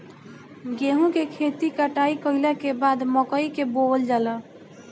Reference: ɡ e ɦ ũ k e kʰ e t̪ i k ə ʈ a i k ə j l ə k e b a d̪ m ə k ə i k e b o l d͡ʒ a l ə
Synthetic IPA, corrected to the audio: ɡ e ɦ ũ k e kʰ e t̪ i k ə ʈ a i k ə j l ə k e b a d̪ m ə k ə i k e b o l d͡ʒ a l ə

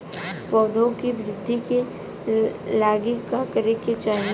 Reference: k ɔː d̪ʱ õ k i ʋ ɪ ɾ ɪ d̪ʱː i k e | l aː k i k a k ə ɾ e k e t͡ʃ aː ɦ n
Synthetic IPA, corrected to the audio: p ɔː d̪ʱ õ k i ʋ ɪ ɾ ɪ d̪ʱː i k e | l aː ɡ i k a k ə ɾ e k e t͡ʃ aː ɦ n

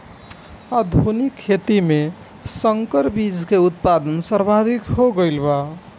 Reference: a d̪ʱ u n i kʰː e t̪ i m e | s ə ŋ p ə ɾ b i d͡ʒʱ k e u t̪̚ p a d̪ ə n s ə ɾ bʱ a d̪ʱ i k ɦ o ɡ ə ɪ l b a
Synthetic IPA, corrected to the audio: a d̪ʱ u n i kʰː e t̪ i m e | s ə ŋ k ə ɾ b i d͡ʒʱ k e u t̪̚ p a d̪ ə n s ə ɾ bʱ a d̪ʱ i k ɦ o ɡ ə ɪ l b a

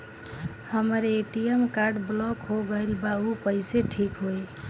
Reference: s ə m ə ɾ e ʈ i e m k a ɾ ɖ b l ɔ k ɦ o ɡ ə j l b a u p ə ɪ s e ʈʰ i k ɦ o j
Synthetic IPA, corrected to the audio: h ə m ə ɾ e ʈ i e m k a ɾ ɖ b l ɔ k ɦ o ɡ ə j l b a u p ə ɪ s e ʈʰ i k ɦ o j

